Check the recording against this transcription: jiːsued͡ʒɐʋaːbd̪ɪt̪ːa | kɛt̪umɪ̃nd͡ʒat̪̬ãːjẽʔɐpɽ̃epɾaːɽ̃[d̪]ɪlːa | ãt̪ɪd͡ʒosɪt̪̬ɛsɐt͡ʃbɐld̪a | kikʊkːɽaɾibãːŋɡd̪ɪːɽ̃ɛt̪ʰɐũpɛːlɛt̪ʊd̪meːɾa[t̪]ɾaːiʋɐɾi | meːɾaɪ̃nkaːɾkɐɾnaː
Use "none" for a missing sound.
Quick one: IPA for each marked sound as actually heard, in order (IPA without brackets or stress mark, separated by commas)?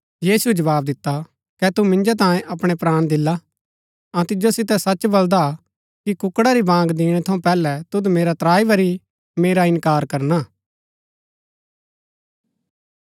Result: d̪, t̪